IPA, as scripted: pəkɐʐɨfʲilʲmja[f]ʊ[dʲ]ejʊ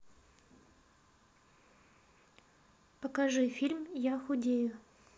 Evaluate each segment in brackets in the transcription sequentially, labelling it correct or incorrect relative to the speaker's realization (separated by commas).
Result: incorrect, correct